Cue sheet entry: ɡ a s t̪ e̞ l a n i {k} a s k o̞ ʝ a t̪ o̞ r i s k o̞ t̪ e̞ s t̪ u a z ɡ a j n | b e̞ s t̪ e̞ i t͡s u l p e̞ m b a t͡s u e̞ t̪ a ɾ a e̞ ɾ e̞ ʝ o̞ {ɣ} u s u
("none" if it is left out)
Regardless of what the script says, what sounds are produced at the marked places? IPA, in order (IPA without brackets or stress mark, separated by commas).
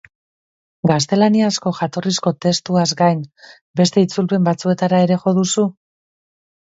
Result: none, ð